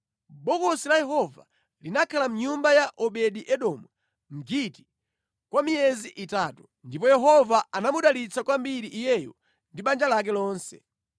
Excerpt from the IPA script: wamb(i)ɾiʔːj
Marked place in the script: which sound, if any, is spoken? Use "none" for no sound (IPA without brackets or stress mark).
i